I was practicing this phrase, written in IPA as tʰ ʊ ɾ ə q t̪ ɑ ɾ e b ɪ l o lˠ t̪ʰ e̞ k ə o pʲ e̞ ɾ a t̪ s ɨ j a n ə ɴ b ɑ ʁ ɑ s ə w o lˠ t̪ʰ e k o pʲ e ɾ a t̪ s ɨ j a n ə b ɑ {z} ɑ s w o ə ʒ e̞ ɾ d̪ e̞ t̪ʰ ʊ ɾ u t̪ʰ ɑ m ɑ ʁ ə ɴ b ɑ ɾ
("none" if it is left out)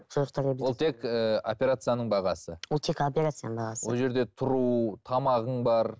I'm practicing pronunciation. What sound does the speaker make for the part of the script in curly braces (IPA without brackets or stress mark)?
ʁ